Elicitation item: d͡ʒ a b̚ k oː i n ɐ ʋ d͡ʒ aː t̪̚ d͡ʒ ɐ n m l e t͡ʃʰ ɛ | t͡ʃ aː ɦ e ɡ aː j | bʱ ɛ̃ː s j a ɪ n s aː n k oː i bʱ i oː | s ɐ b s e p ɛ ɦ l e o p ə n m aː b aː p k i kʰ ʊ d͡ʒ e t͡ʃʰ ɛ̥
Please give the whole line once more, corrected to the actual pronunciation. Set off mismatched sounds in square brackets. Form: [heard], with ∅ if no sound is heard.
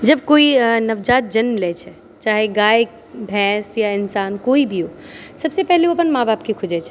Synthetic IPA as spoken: d͡ʒ [ɐ] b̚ k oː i n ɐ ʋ d͡ʒ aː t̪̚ d͡ʒ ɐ n m l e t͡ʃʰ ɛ | t͡ʃ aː ɦ e ɡ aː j | bʱ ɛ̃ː s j a ɪ n s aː n k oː i bʱ i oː | s ɐ b s e p ɛ ɦ l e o p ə n m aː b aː p k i kʰ ʊ d͡ʒ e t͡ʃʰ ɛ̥

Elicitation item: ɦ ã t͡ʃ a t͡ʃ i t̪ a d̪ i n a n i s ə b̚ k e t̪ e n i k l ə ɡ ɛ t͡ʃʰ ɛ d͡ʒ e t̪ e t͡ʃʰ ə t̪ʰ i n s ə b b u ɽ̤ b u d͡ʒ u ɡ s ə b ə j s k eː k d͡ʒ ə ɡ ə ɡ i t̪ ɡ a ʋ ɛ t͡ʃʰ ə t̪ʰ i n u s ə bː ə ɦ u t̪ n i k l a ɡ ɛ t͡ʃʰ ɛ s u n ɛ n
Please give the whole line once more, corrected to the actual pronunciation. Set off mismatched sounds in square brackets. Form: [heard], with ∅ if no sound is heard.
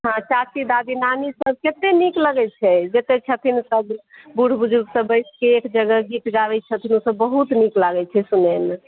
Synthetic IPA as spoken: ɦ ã t͡ʃ a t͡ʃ i [d̪] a d̪ i n a n i s ə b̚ k e t̪ e n i k l ə ɡ ɛ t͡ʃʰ ɛ d͡ʒ e t̪ e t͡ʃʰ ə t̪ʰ i n s ə b b u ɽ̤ b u d͡ʒ u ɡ s ə b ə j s k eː k d͡ʒ ə ɡ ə ɡ i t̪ ɡ a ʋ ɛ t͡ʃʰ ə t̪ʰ i n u s ə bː ə ɦ u t̪ n i k l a ɡ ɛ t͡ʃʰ ɛ s u n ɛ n

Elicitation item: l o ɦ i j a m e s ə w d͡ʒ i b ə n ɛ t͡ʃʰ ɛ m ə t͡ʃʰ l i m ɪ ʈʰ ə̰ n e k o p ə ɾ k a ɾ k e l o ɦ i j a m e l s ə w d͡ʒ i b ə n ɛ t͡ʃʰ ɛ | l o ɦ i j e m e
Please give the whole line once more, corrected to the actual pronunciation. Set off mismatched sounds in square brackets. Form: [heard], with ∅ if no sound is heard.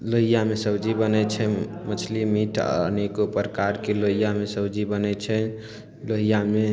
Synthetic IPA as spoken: l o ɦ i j a m e s ə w d͡ʒ i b ə n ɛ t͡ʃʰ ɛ m ə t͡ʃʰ l i m [i] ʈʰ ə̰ n e k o p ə ɾ k a ɾ k e l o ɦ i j a m e [∅] s ə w d͡ʒ i b ə n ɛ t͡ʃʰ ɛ | l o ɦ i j [a] m e

